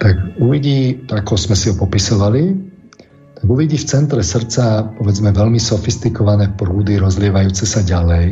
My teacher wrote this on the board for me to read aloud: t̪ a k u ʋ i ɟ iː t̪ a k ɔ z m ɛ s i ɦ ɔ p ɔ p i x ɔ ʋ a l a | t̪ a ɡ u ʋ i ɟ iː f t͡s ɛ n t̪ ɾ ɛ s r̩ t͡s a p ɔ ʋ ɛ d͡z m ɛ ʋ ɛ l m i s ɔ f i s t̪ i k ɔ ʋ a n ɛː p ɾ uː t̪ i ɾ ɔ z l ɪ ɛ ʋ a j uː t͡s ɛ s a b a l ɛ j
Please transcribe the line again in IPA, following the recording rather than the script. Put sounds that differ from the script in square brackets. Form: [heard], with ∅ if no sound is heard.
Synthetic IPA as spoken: t̪ a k u ʋ i ɟ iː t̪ a k ɔ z m ɛ s i ɦ ɔ p ɔ p i [s] ɔ ʋ a l [i] | t̪ a ɡ u ʋ i ɟ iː f t͡s ɛ n t̪ ɾ ɛ s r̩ t͡s a p ɔ ʋ ɛ d͡z m ɛ ʋ ɛ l m i s ɔ f i s t̪ i k ɔ ʋ a n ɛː p ɾ uː [d̪] i ɾ ɔ z l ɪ ɛ ʋ a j uː t͡s ɛ s a [ɟ] a l ɛ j